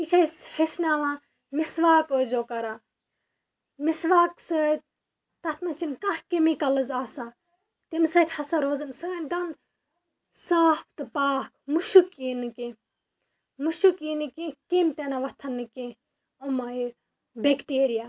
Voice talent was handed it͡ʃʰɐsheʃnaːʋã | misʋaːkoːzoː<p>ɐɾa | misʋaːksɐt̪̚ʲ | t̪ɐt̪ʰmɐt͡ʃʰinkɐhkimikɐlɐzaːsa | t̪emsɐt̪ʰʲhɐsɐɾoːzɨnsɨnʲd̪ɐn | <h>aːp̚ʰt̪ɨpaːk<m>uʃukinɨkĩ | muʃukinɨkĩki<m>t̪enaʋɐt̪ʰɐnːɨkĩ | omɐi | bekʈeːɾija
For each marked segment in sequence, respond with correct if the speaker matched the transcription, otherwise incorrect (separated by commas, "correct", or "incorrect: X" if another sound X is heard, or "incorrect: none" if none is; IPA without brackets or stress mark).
incorrect: k, incorrect: s, correct, correct